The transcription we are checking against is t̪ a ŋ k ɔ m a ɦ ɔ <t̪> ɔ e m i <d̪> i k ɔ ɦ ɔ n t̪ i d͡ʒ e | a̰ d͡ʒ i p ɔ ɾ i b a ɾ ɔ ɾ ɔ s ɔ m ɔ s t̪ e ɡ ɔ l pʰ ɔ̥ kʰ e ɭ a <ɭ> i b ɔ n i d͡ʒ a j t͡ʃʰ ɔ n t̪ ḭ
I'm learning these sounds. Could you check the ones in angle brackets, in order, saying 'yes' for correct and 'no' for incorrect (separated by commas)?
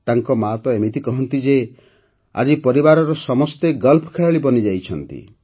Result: yes, no, yes